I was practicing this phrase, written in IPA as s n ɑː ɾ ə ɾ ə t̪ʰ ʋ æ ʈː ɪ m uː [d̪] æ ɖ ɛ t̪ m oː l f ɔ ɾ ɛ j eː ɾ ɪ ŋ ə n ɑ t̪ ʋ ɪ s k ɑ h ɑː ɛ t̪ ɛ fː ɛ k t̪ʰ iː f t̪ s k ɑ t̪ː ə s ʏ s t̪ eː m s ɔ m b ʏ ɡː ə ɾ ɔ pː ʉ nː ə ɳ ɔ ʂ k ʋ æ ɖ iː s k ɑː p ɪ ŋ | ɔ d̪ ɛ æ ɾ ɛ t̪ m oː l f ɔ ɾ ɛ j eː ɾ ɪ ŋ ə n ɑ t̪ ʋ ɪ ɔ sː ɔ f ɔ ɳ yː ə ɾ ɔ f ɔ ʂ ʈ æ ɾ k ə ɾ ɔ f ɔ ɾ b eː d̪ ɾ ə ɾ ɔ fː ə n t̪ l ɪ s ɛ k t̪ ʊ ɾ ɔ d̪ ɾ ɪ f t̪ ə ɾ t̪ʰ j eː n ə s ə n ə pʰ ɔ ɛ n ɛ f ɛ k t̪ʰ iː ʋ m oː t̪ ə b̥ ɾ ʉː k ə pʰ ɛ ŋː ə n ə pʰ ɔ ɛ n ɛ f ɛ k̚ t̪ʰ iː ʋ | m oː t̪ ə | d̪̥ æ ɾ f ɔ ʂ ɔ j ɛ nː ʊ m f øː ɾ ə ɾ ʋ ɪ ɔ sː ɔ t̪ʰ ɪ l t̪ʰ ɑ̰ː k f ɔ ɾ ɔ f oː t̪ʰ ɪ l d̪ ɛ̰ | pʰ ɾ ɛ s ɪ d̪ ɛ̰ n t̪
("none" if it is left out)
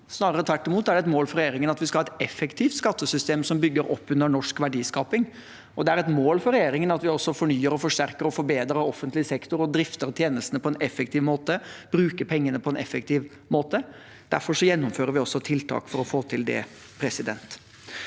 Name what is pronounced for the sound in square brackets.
t̪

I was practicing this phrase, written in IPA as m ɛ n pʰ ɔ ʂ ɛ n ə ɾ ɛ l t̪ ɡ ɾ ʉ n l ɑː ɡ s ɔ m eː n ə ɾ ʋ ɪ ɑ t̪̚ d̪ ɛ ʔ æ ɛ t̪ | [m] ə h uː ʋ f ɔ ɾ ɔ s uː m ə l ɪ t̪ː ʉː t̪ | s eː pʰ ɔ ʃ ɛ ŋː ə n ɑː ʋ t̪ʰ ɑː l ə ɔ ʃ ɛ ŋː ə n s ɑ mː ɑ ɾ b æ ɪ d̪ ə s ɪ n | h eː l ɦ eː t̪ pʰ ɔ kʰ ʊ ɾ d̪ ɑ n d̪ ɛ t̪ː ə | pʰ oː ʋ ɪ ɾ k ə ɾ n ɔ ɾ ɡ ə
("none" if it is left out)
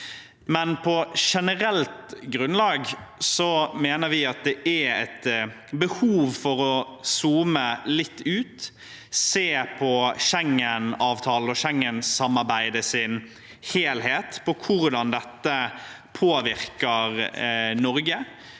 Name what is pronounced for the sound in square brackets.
b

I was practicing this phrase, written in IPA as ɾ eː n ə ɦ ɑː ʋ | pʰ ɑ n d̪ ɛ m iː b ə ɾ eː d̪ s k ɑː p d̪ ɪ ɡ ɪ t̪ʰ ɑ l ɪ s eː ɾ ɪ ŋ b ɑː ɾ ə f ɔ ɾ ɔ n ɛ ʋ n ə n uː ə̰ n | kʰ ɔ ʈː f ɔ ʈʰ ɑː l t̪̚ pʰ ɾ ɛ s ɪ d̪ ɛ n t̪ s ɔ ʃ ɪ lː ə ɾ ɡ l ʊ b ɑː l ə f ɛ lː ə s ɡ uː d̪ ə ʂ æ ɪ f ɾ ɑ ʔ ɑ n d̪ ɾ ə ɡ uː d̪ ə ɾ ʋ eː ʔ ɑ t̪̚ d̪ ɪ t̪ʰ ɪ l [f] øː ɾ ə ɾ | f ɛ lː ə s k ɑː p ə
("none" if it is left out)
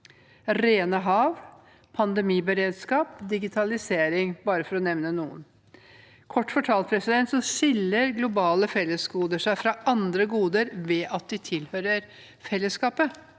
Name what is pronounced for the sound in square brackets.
h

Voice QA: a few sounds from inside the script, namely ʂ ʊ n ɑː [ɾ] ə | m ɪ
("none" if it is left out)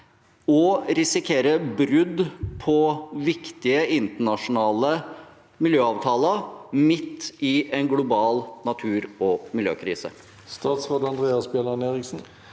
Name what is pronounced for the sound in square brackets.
l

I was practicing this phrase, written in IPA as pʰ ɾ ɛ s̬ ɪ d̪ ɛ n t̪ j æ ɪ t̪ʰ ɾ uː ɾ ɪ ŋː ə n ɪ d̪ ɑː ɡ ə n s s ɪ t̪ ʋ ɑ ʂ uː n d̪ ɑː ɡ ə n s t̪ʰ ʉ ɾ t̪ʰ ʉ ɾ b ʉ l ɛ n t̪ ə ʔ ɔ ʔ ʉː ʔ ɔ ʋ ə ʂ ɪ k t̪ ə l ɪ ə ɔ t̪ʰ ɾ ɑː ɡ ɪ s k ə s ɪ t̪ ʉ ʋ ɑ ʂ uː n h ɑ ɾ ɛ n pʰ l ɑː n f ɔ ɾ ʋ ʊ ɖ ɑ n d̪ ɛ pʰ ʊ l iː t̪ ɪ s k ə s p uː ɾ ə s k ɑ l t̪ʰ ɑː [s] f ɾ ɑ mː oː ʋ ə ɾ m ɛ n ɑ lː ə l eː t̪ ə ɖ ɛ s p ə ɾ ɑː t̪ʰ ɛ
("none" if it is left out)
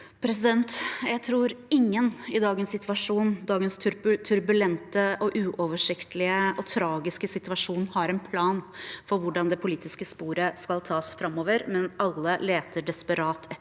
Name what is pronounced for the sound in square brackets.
s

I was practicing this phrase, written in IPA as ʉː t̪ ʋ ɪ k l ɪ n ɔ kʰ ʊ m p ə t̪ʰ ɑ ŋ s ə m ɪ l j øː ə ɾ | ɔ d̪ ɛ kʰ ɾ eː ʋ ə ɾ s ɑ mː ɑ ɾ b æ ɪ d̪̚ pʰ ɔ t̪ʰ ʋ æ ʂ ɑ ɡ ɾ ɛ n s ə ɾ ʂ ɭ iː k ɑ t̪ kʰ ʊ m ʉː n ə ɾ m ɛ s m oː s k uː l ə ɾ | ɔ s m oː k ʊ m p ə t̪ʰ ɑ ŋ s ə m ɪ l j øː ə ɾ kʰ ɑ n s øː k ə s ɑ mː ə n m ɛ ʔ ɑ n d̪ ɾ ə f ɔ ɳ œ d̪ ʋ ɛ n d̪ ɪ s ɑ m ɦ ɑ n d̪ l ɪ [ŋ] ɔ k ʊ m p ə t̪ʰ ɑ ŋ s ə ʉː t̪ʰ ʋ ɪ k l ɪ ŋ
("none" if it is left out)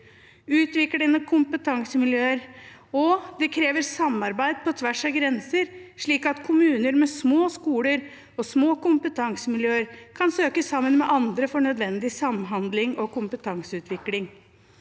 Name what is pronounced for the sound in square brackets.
ŋ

